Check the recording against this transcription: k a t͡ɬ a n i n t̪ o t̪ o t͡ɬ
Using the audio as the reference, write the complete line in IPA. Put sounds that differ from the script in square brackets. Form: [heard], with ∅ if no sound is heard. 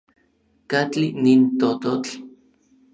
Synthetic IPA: k a t͡ɬ [i] n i n t̪ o t̪ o t͡ɬ

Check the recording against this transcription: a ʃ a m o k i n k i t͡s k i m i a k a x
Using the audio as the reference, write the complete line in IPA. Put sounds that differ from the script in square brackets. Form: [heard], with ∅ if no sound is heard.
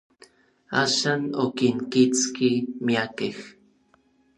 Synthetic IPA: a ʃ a [n] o k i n k i t͡s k i m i a k [e] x

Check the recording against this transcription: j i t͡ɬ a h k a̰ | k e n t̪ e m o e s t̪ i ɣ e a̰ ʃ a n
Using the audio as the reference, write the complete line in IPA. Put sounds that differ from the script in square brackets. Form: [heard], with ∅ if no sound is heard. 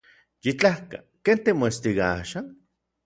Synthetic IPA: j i t͡ɬ a h k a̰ | k e n t̪ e m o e s t̪ i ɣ [a] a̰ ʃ a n

